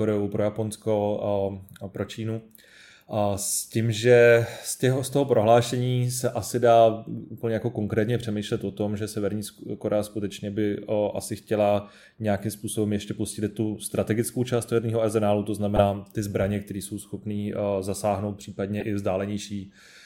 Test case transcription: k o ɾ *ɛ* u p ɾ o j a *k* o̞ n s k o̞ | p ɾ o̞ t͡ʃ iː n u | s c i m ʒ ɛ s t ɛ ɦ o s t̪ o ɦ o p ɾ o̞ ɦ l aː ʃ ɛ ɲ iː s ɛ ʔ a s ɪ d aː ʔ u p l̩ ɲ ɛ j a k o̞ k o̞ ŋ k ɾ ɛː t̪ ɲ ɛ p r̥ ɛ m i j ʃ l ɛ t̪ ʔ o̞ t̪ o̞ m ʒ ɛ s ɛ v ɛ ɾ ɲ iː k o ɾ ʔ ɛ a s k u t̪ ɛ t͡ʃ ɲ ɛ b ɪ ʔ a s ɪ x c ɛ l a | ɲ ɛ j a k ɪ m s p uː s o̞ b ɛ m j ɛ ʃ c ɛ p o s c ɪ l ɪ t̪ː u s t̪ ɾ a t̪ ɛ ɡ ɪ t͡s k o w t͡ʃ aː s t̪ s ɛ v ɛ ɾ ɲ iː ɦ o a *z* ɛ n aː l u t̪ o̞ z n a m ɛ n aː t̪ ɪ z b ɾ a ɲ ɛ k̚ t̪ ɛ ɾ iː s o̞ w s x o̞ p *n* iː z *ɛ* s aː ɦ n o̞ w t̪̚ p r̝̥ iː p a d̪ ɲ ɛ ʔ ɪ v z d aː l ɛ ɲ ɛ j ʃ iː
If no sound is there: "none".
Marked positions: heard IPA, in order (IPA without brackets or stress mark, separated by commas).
ɛ, p, z, n, a